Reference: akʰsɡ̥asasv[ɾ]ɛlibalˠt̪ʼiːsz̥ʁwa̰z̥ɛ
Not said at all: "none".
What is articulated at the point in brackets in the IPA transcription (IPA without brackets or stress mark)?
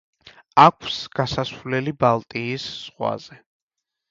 l